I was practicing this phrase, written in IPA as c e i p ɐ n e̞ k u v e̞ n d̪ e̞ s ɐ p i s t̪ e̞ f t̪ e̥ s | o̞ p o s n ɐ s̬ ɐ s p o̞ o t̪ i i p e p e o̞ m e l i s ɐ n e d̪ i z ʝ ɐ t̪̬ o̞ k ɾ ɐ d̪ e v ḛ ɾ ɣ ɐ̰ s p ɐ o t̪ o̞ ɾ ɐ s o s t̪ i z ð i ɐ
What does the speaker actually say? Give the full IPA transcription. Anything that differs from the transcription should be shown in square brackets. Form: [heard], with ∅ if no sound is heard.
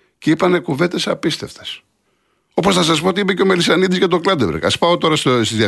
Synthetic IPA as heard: c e i p ɐ n e̞ k u v e̞ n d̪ e̞ s ɐ p i s t̪ e̞ f t̪ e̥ s | o̞ p o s n ɐ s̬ ɐ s p o̞ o t̪ i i p e [c] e o̞ m e l i s ɐ n [i] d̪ i z ʝ ɐ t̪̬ o̞ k [l] ɐ d̪ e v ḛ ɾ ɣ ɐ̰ s p ɐ o t̪ o̞ ɾ ɐ s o s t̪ i z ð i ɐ